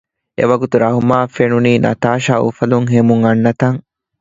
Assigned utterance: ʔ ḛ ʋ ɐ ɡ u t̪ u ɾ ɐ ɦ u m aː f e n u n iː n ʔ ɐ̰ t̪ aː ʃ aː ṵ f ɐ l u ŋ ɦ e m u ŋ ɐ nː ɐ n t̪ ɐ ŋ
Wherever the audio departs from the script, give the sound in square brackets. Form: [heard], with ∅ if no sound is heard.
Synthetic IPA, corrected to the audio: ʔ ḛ ʋ ɐ ɡ u t̪ u ɾ ɐ ɦ u m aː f e n u n iː n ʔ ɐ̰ t̪ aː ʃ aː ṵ f ɐ l u ŋ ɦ e m u ŋ ɐ nː ɐ [∅] t̪ ɐ ŋ